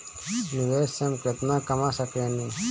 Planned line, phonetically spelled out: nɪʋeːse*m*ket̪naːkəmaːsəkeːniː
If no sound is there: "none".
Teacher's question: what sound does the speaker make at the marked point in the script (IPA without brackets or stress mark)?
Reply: m